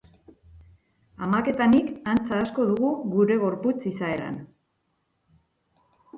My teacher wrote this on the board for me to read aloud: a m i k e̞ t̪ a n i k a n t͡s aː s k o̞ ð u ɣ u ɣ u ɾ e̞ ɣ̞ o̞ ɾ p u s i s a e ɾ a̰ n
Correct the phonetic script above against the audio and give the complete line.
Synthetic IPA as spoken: a m a k e̞ t̪ a n i k a n t͡s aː s k o̞ ð u ɣ u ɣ u ɾ e̞ ɣ̞ o̞ ɾ p u t͡s i s a e ɾ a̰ n